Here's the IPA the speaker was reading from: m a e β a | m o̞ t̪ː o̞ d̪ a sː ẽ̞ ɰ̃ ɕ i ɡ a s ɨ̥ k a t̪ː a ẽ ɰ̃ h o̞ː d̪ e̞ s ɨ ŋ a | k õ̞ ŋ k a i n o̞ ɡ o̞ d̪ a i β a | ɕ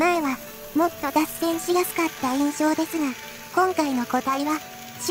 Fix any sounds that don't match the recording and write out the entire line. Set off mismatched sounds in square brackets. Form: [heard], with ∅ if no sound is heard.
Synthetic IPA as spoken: m a e β a | m o̞ t̪ː o̞ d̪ a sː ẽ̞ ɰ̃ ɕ i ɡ a s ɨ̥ k a t̪ː a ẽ ɰ̃ [ɕ] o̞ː d̪ e̞ s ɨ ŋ a | k õ̞ ŋ k a i n o̞ [k] o̞ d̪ a i β a | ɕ